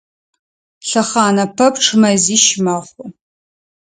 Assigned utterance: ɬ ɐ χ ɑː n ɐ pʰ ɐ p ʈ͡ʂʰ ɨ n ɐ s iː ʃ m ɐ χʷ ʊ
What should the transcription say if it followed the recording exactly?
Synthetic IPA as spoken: ɬ ɐ χ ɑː n ɐ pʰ ɐ p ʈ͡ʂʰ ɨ m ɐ z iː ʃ m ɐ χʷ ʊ